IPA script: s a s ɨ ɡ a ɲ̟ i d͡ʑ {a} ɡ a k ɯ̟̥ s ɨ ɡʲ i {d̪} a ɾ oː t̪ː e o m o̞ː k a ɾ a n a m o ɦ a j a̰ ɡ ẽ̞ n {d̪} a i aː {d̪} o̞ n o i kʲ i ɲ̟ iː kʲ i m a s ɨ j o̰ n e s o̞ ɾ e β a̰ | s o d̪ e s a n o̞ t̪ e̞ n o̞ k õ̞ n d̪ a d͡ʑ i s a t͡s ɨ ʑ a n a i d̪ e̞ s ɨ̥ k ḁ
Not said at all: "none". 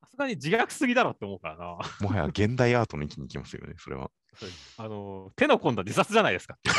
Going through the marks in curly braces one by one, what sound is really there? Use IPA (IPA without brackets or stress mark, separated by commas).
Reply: i, d̪, d̪, t̪